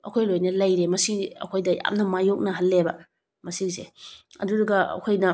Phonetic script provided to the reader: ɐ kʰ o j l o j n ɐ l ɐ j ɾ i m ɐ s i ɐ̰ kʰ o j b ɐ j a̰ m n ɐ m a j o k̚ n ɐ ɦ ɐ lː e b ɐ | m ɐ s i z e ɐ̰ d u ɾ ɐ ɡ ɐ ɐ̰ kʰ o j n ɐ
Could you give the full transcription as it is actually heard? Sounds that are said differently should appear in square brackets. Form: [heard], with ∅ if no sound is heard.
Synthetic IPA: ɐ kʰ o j l o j n ɐ l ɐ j ɾ [e] m ɐ s i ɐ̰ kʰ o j [d] ɐ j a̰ m n ɐ m a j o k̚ n ɐ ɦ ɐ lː e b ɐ | m ɐ s i z e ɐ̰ d u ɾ ɐ ɡ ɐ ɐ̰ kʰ o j n ɐ